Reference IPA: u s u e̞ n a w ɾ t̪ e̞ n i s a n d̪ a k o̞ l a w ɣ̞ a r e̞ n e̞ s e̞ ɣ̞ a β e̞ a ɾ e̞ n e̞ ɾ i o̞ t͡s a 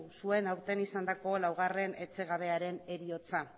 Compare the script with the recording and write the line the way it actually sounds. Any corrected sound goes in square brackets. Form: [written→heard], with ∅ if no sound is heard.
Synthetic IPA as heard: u s u e̞ n a w ɾ t̪ e̞ n i s a n d̪ a k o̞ l a w ɣ̞ a r e̞ n e̞ [s→t͡s] e̞ ɣ̞ a β e̞ a ɾ e̞ n e̞ ɾ i o̞ t͡s a